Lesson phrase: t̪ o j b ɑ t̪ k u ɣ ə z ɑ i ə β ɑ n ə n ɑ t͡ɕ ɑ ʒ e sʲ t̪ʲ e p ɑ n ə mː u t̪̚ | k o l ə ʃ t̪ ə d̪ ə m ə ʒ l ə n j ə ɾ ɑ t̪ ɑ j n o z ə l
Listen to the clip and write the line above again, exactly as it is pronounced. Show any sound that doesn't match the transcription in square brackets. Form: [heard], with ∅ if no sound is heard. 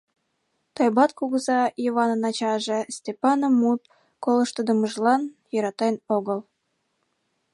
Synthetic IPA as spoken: t̪ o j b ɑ t̪ k u ɣ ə z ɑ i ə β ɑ n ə n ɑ t͡ɕ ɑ ʒ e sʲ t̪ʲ e p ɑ n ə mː u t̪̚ | k o l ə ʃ t̪ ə d̪ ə m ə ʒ l [ɑ] n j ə ɾ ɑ t̪ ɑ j n o [ɣ] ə l